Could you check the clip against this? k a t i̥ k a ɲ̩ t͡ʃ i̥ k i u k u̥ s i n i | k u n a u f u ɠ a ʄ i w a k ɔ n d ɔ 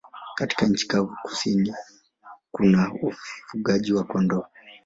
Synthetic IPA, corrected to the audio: k a t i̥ k a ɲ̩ t͡ʃ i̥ k a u k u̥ s i n i | k u n a u f u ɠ a ʄ i w a k ɔ n d ɔ